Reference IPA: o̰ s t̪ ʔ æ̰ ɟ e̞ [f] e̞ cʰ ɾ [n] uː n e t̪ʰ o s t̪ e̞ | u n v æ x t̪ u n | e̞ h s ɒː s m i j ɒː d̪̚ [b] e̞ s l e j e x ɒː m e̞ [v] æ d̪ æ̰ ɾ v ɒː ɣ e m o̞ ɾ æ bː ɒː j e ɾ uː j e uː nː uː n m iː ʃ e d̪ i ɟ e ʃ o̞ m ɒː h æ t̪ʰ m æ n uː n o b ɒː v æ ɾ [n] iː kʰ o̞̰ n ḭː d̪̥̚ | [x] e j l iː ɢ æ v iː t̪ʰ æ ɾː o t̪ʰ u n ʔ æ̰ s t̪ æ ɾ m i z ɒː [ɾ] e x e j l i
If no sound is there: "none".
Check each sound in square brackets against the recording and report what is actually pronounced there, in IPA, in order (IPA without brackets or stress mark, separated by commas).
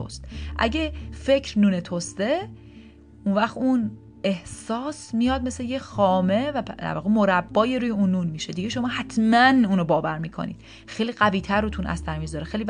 f, n, m, v, m, x, ɾ